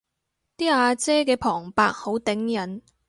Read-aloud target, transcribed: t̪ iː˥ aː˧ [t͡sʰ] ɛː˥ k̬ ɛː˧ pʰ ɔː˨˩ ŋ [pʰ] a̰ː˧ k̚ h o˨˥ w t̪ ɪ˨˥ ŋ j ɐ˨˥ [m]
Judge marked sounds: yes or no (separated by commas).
no, no, no